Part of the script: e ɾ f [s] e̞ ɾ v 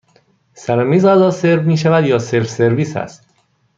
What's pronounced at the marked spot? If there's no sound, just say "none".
s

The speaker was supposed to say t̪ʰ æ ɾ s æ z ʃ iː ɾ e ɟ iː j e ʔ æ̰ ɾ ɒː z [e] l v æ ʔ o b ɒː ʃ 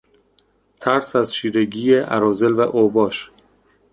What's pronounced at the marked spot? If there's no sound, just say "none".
e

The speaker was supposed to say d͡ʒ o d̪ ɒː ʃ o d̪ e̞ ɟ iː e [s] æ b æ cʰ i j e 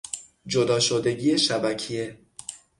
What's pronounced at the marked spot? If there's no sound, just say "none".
ʃ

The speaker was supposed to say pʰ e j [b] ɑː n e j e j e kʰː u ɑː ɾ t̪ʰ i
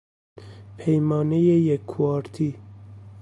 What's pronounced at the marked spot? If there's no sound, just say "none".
m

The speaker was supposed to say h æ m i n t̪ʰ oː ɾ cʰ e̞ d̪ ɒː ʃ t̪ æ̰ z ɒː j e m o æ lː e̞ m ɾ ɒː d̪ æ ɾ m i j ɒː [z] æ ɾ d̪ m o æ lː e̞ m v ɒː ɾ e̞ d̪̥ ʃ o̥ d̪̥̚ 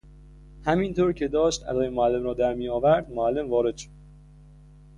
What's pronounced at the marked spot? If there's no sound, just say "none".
v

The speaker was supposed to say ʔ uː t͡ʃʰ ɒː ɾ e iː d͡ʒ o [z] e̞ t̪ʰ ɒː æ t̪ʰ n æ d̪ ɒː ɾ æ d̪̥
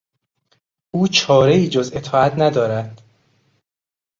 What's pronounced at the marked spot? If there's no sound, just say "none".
z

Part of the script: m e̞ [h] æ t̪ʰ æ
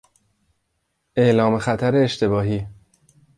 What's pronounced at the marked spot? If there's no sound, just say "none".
x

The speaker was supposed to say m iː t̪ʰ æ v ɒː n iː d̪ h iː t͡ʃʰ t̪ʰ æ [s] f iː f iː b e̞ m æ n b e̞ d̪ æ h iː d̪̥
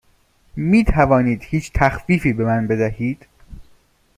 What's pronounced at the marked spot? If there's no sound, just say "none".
x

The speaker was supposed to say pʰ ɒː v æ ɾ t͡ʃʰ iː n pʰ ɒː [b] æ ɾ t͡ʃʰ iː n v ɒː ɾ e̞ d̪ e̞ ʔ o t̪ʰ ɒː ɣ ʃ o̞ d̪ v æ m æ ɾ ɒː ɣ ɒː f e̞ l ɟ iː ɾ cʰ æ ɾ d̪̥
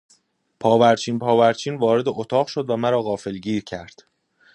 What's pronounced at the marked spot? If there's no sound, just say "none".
v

